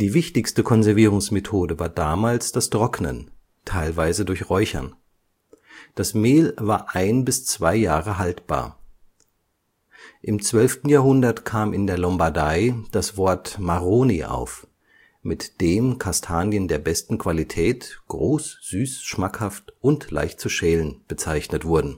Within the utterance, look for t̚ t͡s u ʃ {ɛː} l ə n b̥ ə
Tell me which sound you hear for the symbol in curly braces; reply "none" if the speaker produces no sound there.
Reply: ɛː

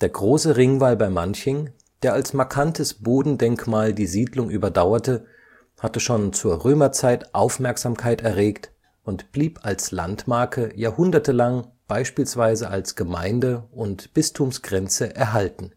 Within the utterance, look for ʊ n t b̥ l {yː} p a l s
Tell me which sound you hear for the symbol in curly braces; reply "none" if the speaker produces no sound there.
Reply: iː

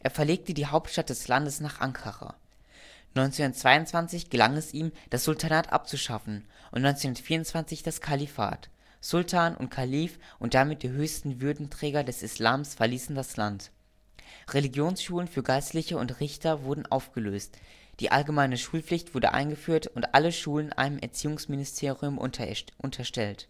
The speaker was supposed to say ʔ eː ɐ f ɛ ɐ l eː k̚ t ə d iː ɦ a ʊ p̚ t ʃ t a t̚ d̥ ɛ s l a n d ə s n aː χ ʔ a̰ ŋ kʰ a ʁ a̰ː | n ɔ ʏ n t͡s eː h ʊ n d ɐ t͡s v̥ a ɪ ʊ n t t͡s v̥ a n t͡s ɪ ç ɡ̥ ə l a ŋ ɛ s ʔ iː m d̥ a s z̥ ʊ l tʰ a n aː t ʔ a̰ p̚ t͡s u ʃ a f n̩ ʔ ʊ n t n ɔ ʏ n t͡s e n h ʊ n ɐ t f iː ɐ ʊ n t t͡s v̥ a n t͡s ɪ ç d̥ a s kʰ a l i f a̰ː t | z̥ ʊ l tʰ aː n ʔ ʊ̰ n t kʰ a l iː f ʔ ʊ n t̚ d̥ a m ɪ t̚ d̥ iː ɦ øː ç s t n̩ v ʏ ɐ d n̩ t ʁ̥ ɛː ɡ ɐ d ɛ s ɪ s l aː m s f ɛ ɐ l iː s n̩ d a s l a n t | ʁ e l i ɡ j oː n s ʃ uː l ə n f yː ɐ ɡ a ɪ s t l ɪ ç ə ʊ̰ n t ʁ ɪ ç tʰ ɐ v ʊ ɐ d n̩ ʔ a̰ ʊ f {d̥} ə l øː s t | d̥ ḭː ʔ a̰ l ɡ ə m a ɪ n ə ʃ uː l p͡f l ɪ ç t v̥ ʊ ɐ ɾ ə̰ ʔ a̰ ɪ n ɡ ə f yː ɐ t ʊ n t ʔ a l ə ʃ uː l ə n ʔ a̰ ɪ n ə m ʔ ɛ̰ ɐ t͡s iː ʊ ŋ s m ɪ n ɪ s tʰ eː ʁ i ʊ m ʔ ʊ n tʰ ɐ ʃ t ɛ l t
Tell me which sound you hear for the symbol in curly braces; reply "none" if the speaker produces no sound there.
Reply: ɡ̥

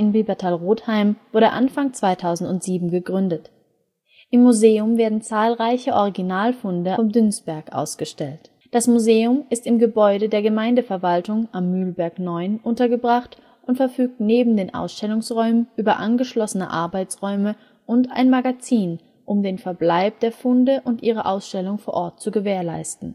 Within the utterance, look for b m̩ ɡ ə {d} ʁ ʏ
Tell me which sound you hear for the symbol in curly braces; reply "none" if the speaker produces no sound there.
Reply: ɡ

